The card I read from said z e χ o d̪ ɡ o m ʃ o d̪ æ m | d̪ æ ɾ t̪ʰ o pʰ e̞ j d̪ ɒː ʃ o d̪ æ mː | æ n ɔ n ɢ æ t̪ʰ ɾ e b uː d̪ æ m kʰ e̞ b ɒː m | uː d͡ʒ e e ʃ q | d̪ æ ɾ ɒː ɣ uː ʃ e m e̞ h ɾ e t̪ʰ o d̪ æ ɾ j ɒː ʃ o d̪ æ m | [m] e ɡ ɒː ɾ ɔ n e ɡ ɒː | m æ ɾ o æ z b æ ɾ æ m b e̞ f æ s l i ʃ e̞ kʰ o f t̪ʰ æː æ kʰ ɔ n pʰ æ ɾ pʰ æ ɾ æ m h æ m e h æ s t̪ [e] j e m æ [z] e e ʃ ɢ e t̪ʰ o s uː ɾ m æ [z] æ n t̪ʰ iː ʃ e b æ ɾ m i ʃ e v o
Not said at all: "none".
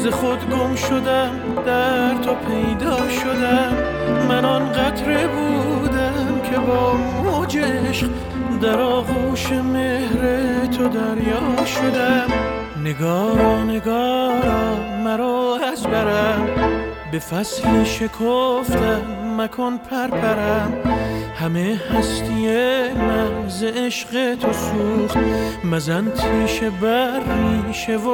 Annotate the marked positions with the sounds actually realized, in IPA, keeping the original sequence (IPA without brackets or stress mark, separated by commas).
n, i, z, z